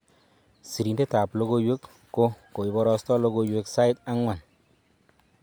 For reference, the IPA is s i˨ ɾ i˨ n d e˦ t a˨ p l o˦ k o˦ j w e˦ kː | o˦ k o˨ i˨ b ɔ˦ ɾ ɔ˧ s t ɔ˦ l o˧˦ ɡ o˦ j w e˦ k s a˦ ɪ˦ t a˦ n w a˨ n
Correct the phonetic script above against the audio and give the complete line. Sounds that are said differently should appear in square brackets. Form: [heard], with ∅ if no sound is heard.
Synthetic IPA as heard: s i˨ ɾ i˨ n d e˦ t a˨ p l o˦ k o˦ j w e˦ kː | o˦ k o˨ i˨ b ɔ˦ ɾ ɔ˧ s t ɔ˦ l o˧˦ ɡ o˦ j w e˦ k s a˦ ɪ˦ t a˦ [ŋ] w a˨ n